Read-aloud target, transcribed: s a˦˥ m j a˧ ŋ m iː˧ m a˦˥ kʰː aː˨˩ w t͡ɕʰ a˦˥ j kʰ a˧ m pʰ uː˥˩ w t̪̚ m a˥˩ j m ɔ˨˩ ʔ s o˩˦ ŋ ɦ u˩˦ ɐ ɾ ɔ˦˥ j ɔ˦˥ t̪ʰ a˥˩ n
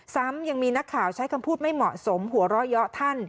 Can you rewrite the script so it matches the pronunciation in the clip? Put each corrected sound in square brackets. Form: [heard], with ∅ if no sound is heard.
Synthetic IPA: s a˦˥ m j a˧ ŋ m iː˧ [n] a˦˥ kʰː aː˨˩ w t͡ɕʰ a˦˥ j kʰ a˧ m pʰ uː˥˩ [∅] t̪̚ m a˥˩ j m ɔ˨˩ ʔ s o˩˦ [m] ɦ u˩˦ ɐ ɾ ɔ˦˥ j ɔ˦˥ t̪ʰ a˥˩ n